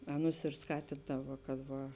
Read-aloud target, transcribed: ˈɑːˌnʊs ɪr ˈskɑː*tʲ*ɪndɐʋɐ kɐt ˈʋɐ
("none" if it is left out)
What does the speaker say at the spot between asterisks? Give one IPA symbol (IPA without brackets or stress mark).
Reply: tʲ